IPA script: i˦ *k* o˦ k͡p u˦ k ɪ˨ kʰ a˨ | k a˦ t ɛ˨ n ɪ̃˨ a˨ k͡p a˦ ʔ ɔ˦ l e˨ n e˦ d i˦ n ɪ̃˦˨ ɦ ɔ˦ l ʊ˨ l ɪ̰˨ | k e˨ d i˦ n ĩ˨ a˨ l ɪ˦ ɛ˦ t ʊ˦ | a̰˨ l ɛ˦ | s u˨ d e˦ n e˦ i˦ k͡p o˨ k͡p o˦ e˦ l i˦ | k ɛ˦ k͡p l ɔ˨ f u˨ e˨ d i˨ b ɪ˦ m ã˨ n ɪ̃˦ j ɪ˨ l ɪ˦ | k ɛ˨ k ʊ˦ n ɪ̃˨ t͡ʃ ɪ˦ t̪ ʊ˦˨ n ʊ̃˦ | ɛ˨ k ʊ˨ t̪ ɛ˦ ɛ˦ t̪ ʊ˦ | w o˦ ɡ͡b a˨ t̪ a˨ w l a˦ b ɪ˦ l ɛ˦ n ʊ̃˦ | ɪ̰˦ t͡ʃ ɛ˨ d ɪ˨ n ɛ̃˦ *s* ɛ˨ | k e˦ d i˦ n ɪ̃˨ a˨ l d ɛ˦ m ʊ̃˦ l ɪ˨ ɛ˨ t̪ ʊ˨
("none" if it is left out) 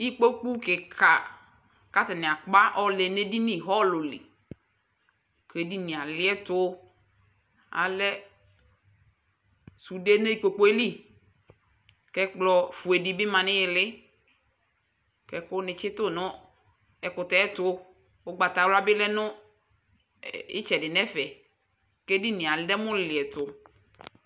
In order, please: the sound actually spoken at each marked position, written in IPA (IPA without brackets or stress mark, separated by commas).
k͡p, f